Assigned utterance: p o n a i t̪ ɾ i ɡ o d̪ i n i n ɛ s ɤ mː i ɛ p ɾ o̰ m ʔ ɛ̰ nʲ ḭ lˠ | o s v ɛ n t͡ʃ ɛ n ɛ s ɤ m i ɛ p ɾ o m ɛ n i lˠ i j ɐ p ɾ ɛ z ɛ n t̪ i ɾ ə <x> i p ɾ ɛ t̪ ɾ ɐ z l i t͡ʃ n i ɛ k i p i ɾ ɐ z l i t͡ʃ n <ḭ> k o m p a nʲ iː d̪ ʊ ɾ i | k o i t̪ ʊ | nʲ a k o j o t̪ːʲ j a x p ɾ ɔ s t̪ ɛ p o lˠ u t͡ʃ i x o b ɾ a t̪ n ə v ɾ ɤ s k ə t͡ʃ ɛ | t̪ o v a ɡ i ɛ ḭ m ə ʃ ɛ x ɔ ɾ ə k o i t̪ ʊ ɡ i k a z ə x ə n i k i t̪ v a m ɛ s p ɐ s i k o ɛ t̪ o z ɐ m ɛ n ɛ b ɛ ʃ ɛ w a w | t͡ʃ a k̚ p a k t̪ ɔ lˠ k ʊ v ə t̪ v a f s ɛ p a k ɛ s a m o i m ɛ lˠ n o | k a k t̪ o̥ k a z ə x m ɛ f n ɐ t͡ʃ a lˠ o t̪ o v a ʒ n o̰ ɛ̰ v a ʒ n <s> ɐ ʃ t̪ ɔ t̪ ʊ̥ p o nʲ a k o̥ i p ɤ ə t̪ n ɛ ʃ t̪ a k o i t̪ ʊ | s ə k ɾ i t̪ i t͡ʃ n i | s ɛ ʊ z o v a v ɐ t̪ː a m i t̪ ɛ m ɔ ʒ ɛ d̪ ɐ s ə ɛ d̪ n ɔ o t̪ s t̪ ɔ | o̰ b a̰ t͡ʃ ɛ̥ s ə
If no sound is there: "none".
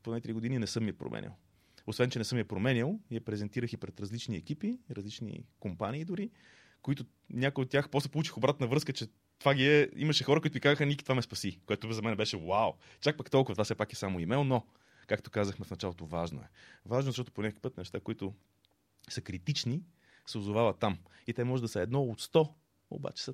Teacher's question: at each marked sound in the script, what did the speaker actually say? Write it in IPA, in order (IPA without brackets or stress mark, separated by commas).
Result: x, ḭ, z